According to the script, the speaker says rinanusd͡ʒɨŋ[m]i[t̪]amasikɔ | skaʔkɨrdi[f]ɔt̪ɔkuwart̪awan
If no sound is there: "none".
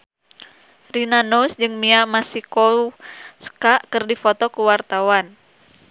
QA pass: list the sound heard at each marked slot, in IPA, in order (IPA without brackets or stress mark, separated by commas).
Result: m, none, f